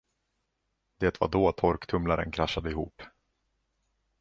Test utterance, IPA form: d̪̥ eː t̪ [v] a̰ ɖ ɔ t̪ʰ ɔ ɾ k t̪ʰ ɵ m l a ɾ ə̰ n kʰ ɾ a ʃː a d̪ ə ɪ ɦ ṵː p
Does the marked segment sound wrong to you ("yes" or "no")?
no